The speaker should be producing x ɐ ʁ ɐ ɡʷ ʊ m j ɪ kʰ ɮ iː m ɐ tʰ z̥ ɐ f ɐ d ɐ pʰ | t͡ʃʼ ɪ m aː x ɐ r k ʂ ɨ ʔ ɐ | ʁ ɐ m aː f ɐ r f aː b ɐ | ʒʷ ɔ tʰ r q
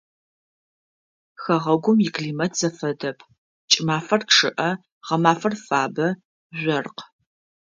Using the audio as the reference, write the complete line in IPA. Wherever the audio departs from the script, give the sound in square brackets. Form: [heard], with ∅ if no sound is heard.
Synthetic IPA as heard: x ɐ ʁ ɐ ɡʷ ʊ m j ɪ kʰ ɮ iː m ɐ tʰ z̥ ɐ f ɐ d ɐ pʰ | t͡ʃʼ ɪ m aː [f] ɐ r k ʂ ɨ ʔ ɐ | ʁ ɐ m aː f ɐ r f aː b ɐ | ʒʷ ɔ [∅] r q